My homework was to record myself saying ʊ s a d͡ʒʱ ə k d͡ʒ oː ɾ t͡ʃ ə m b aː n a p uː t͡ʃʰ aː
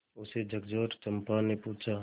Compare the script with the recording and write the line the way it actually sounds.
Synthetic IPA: ʊ s e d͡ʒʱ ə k d͡ʒ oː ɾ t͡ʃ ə m p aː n e p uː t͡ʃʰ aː